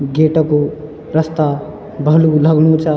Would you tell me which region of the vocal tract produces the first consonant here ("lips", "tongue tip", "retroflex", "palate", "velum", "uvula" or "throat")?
velum